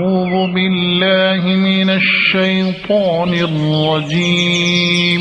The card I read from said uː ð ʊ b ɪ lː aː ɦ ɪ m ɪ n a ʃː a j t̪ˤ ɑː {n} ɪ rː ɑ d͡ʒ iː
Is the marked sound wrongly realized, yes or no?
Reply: no